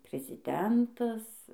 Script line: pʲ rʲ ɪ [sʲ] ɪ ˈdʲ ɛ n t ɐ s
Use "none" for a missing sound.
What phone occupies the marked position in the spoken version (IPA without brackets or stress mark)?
zʲ